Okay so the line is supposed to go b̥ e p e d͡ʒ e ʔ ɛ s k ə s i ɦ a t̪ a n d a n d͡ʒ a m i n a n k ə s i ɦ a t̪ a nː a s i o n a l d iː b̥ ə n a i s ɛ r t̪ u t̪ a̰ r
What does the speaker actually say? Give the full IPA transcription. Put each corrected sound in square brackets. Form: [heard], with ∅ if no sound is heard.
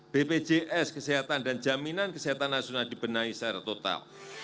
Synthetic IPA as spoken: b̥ e p e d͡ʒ e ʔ ɛ s k ə s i ɦ a t̪ a n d a n d͡ʒ a m i n a n k ə s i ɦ a t̪ a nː a s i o n a l d [i] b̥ ə n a i s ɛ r t̪ [o] t̪ a̰ [l]

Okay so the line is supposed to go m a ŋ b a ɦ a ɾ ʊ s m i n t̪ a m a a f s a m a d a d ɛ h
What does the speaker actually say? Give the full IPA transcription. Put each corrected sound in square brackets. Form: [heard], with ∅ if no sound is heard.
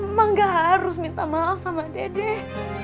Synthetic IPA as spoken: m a ŋ [ɡ] a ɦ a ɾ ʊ s m i n t̪ a m a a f s a m a d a d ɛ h

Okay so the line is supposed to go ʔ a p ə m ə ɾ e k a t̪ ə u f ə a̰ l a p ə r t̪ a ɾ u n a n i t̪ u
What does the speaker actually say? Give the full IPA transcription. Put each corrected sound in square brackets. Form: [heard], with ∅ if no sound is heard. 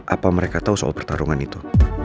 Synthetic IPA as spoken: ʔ a p [a] m ə ɾ e k a t̪ [a] u [s] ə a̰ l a p ə r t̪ a ɾ u [ŋ] a n i t̪ u

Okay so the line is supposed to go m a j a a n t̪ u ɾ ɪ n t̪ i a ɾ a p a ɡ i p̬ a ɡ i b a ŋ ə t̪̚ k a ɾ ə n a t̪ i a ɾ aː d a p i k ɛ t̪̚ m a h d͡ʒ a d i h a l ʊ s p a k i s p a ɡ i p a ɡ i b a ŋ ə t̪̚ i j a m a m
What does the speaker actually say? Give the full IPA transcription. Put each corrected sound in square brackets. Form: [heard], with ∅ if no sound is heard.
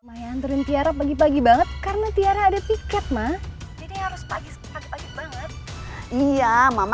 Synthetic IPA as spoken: m a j a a n t̪ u ɾ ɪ n t̪ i a ɾ a p a ɡ i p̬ a ɡ i b a ŋ ə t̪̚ k a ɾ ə n a t̪ i a ɾ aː d a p i k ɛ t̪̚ m a h d͡ʒ a d i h a [ɾ] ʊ s p a [ɡ] i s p a ɡ i p a ɡ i b a ŋ ə t̪̚ i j a m a m

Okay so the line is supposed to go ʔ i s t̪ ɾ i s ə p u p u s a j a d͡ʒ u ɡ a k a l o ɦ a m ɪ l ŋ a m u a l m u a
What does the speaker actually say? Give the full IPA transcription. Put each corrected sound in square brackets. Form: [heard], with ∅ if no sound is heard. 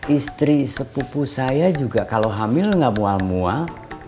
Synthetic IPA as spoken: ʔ i s t̪ ɾ i s ə p u p u s a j a d͡ʒ u ɡ a k a l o ɦ a m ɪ l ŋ a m u a l m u a

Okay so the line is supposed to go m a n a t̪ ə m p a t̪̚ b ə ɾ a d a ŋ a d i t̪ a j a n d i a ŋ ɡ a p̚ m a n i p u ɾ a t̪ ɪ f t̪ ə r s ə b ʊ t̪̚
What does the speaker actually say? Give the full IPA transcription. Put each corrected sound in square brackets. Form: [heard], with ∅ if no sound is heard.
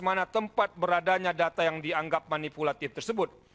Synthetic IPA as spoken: m a n a t̪ ə m p a t̪̚ b ə ɾ a d a [ɲ] a d [a] t̪ a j a [ŋ] d i a ŋ ɡ a p̚ m a n i p u [l] a t̪ ɪ f t̪ ə r s ə b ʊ t̪̚

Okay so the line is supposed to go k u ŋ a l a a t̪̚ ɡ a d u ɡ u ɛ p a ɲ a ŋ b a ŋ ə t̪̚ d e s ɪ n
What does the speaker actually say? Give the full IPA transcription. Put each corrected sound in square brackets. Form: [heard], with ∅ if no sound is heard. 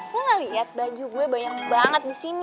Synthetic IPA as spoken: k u ŋ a l [i] a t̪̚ [b] a [d͡ʒ] u ɡ u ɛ [b] a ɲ a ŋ b a ŋ ə t̪̚ d [i] s [i] n

